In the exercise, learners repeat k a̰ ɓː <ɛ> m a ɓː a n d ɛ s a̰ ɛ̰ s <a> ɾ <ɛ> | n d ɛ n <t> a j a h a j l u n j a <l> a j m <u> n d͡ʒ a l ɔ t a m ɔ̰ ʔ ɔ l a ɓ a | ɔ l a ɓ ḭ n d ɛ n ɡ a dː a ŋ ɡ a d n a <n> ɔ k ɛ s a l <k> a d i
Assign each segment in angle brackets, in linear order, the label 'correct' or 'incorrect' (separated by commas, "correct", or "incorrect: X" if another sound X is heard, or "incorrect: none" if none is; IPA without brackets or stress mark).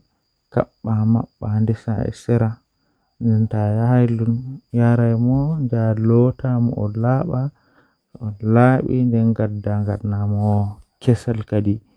incorrect: a, incorrect: ɛ, incorrect: a, correct, incorrect: ɾ, incorrect: ɔ, incorrect: m, correct